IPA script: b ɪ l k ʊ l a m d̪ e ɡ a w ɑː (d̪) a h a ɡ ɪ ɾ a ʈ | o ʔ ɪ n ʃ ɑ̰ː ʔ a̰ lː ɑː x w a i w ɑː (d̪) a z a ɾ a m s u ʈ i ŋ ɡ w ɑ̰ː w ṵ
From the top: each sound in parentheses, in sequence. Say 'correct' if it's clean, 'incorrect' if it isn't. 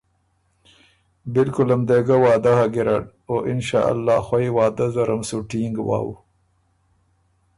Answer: correct, correct

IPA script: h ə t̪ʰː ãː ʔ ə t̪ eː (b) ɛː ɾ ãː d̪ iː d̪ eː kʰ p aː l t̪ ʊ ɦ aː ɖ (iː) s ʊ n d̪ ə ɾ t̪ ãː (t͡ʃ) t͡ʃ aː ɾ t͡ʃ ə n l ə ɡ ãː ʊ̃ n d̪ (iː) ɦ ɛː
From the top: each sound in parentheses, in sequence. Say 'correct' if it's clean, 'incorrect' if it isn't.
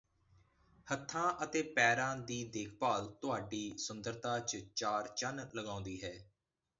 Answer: incorrect, correct, correct, correct

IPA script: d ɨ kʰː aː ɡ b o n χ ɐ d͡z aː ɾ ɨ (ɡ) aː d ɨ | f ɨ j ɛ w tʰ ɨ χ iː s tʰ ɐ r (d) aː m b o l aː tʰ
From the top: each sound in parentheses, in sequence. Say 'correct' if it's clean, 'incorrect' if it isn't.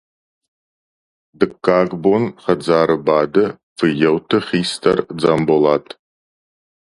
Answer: incorrect, incorrect

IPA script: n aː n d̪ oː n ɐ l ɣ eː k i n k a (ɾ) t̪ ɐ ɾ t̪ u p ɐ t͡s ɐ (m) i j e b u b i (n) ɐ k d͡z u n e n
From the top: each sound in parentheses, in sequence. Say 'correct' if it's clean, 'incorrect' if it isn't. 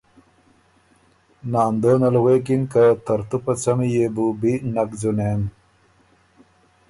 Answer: incorrect, correct, correct

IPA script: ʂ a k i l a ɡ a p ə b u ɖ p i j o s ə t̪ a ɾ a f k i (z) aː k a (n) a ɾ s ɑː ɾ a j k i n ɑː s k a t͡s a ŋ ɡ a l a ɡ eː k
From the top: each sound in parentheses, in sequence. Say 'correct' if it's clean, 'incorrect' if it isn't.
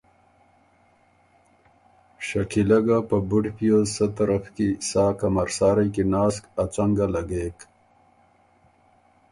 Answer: incorrect, incorrect

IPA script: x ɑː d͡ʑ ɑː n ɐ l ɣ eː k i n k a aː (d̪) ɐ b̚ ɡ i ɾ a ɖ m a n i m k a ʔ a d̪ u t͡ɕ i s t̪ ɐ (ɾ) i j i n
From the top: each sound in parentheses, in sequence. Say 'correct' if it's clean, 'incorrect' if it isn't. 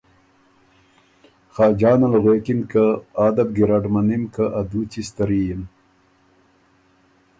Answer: correct, correct

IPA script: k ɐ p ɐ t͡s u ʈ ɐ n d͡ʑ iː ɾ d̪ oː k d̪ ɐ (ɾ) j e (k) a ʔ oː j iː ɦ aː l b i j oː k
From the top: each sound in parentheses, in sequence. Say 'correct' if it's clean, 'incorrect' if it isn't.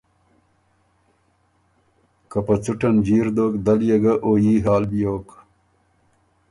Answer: incorrect, incorrect

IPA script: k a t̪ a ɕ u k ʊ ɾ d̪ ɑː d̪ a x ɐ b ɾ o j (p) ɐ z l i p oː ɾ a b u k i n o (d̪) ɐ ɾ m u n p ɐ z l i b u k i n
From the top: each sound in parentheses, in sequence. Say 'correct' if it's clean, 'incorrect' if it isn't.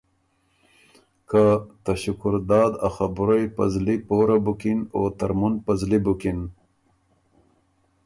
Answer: correct, incorrect

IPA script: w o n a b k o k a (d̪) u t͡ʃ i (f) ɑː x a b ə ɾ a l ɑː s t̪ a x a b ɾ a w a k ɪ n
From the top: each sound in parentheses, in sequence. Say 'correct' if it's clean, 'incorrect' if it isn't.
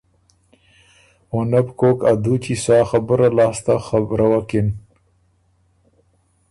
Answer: correct, incorrect

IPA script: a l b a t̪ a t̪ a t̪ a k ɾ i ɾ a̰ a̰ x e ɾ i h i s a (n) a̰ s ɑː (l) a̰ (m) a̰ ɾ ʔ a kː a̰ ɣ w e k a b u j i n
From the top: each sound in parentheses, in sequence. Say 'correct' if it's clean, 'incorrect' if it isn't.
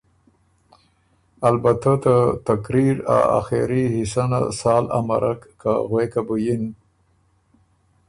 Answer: correct, correct, correct

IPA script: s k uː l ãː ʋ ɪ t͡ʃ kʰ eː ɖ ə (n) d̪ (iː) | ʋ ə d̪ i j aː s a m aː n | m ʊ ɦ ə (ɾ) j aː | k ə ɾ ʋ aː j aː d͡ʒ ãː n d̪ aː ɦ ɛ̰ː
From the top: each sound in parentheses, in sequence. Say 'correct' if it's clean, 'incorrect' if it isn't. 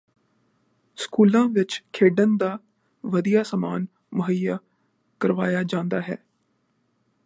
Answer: correct, incorrect, incorrect

